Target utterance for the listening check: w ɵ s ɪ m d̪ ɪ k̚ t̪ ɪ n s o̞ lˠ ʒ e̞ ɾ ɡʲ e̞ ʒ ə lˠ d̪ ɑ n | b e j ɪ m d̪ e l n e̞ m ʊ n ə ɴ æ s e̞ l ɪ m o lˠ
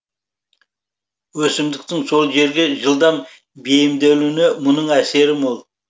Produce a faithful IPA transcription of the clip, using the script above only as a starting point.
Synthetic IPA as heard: w ɵ s ɪ m d̪ ɪ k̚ t̪ ɪ ŋ s o̞ lˠ ʒ e̞ ɾ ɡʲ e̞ ʒ ə lˠ d̪ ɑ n | b e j ɪ m d̪ e l n e̞ m ʊ n ə ɴ æ s e̞ ɾ ɪ m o lˠ